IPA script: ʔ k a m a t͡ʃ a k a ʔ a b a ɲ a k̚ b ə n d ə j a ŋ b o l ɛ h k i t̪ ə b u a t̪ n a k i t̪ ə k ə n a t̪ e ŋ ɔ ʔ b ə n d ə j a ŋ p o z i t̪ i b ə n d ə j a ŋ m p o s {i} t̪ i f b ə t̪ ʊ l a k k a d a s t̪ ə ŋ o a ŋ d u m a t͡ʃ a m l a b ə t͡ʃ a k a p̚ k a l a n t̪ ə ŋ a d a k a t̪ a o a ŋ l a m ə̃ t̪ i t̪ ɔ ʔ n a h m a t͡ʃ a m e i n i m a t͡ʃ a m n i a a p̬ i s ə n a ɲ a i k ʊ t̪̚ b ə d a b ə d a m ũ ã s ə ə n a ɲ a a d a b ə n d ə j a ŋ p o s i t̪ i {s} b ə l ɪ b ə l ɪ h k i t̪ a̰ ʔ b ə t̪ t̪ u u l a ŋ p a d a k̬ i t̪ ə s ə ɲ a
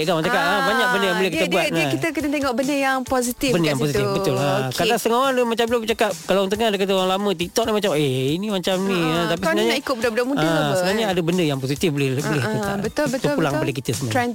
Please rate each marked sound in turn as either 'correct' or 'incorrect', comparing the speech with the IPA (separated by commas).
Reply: correct, incorrect